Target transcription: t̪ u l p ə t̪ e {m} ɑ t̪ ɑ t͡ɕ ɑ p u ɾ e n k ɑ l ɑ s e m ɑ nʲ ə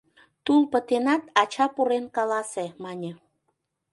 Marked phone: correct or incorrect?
incorrect